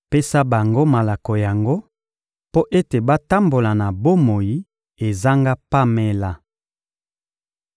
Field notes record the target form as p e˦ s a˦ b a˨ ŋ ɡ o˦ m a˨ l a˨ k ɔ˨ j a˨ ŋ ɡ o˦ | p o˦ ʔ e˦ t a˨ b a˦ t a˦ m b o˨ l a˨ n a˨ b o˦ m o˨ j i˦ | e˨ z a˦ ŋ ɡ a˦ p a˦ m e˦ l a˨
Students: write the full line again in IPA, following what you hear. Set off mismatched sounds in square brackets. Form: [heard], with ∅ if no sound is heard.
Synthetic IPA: p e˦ s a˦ b a˨ ŋ ɡ o˦ m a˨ l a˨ k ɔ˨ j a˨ ŋ ɡ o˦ | p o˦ ʔ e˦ t [e˨] b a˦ t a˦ m b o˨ l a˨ n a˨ b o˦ m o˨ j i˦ | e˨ z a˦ ŋ ɡ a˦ p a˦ m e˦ l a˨